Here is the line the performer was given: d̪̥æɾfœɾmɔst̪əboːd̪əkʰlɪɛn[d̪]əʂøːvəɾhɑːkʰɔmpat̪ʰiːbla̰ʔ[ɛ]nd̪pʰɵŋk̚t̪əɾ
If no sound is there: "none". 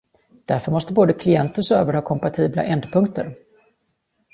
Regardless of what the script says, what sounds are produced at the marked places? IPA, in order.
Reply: t̪, ɛ

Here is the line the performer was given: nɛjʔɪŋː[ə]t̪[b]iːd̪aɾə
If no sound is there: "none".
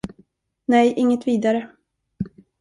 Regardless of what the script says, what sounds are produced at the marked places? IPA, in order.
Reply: ə, v

